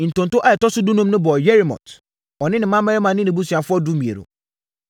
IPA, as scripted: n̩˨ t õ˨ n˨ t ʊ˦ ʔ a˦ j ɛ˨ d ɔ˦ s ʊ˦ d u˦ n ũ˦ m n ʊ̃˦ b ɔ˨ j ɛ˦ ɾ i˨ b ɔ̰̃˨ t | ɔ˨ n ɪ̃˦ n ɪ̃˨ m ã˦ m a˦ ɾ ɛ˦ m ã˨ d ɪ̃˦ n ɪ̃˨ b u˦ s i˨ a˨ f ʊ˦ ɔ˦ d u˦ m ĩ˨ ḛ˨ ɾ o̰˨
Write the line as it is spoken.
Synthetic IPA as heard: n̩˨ t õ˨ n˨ t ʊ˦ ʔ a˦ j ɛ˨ t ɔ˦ s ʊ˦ d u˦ n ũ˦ m n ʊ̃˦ b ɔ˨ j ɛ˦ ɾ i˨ m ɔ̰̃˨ t | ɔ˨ n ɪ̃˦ n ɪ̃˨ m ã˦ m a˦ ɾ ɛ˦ m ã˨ n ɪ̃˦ n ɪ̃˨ b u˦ s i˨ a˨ f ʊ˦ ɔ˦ d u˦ m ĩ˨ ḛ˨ ɾ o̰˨